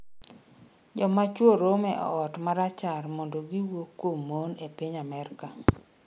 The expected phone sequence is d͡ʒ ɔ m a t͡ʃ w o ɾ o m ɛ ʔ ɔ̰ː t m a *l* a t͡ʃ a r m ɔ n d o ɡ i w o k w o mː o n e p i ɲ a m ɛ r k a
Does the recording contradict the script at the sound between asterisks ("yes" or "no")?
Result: yes